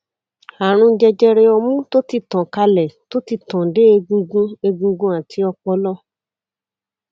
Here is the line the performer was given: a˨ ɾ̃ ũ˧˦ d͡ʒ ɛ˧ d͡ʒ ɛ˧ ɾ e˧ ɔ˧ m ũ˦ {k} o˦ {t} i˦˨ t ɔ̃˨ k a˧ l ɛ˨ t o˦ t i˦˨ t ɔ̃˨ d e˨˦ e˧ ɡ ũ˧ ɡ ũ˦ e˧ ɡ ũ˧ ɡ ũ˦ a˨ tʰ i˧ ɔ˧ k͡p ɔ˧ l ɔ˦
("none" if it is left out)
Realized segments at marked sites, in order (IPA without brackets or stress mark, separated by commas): t, t